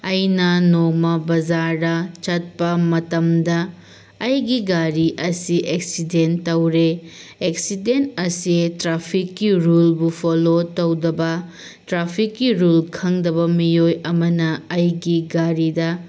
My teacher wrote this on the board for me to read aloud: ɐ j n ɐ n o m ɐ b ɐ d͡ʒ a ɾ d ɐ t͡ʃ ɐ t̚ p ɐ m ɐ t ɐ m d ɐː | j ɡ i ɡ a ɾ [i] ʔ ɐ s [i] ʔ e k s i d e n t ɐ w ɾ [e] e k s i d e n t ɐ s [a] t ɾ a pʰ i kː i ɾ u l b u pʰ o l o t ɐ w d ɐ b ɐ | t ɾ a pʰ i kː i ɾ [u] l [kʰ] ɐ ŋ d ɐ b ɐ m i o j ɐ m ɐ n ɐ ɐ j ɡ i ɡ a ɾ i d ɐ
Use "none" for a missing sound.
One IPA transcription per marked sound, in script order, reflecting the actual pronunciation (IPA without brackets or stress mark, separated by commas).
i, i, e, i, u, kʰ